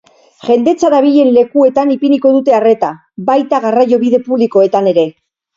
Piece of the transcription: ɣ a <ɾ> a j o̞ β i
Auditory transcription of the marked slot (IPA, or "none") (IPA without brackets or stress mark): r